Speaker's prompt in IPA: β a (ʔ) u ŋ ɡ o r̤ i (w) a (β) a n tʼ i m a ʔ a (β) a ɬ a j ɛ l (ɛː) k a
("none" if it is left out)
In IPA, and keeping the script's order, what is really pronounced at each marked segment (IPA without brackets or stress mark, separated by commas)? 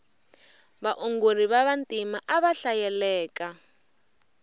ʔ, β, β, β, ɛː